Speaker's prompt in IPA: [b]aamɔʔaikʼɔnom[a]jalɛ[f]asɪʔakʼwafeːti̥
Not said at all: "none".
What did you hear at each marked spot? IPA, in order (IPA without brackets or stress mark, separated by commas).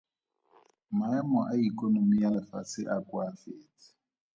m, i, f